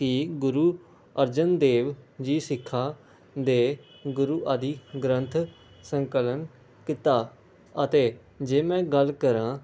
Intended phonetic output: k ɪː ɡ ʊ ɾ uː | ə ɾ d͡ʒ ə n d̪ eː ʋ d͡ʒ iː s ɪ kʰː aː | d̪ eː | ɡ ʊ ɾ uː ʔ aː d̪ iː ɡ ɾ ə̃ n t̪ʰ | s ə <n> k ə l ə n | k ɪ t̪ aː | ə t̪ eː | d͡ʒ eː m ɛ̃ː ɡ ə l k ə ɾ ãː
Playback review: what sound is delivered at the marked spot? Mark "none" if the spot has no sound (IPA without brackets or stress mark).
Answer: ŋ